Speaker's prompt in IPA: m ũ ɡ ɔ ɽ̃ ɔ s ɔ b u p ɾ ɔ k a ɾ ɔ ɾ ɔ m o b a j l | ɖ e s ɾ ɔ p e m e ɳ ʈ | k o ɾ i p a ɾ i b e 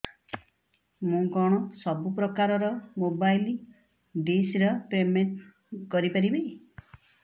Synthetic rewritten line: m ũ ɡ ɔ ɽ̃ ɔ s ɔ b u p ɾ ɔ k a ɾ ɔ ɾ ɔ m o b a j l | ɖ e s ɾ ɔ p e m e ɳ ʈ | k ɔ ɾ i p a ɾ i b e

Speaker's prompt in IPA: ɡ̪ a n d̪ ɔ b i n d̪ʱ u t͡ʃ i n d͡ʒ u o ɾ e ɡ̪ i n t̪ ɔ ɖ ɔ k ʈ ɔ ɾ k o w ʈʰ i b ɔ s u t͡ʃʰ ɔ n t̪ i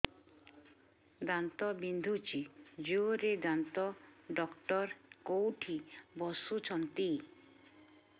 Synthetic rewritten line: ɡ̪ a n t̪ ɔ b i n d̪ʱ u t͡ʃ i d͡ʒ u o ɾ e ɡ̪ a n t̪ ɔ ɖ ɔ k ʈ ɔ ɾ k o w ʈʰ i b ɔ s u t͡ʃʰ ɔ n t̪ i

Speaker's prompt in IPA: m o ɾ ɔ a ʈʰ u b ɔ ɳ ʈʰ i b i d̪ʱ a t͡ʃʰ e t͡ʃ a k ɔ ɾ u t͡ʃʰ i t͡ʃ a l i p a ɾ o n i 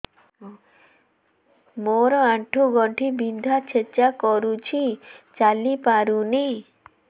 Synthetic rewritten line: m o ɾ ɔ a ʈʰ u ɡ ɔ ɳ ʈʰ i b i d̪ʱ a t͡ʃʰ e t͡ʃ a k ɔ ɾ u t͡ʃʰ i t͡ʃ a l i p a ɾ u n i

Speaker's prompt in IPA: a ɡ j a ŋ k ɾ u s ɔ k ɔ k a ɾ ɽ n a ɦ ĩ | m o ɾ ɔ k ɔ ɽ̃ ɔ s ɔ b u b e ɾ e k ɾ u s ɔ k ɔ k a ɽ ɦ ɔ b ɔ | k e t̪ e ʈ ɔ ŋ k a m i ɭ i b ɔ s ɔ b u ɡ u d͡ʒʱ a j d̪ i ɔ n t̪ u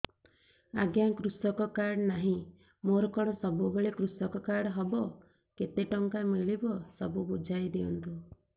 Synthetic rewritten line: a ɡ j a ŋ k ɾ u s ɔ k ɔ k a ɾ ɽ n a ɦ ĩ | m o ɾ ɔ k ɔ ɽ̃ ɔ s ɔ b u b e ɭ e k ɾ u s ɔ k ɔ k a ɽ ɦ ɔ b ɔ | k e t̪ e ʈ ɔ ŋ k a m i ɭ i b ɔ s ɔ b u b u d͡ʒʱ a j d̪ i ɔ n t̪ u

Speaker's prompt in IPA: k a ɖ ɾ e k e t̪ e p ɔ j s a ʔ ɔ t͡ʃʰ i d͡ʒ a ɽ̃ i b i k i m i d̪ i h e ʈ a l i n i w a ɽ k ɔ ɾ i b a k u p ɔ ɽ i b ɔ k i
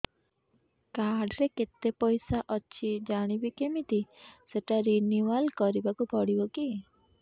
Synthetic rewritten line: k a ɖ ɾ e k e t̪ e p ɔ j s a ʔ ɔ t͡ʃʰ i d͡ʒ a ɽ̃ i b i k e m i t̪ i s e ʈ a ɾ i n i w a l k ɔ ɾ i b a k u p ɔ ɽ i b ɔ k i

